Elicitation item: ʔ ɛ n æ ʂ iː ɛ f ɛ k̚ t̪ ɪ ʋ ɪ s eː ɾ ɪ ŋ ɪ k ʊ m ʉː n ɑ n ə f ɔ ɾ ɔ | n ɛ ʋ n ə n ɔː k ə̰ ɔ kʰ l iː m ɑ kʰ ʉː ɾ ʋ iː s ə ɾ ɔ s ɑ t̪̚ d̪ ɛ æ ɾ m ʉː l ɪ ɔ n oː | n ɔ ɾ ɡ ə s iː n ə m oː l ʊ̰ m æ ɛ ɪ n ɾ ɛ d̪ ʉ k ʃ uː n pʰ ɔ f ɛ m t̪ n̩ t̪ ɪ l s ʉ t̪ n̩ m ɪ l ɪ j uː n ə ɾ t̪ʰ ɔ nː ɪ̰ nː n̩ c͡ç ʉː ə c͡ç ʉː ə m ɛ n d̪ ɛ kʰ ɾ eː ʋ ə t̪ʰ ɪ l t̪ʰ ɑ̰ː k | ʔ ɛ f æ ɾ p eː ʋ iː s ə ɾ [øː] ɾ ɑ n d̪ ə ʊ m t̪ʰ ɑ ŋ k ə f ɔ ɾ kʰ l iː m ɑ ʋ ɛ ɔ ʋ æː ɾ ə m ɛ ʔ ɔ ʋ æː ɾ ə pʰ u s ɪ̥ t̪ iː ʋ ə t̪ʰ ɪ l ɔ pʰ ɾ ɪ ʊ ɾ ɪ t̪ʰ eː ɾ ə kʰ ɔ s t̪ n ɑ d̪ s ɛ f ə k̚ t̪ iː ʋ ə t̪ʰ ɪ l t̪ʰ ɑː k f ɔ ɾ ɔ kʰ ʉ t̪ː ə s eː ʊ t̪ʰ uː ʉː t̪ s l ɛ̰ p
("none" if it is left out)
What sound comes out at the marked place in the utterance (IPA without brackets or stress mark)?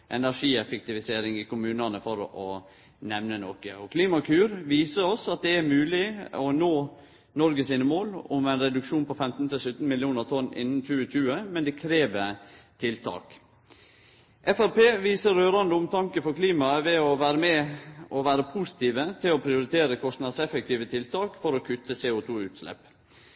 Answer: øː